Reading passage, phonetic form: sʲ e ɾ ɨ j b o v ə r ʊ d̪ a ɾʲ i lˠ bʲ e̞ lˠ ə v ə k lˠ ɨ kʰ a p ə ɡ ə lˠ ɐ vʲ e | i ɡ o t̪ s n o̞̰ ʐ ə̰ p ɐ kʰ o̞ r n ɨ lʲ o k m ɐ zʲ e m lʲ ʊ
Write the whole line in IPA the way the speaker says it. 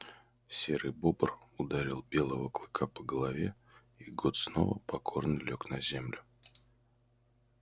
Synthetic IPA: sʲ e ɾ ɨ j b o b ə r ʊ d̪ a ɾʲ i lˠ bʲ e̞ lˠ ə v ə k lˠ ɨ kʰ a p ə ɡ ə lˠ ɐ vʲ e | i ɡ o t̪ s n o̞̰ v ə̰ p ɐ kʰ o̞ r n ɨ lʲ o k n ɐ zʲ e m lʲ ʊ